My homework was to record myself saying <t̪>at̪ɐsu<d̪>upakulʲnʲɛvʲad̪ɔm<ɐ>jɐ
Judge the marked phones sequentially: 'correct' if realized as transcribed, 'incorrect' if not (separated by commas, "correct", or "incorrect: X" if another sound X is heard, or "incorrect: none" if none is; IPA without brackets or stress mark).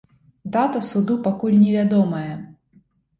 incorrect: d̪, correct, correct